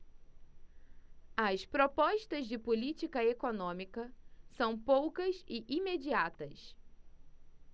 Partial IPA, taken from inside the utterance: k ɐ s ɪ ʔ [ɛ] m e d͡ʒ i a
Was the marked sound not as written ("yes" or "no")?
yes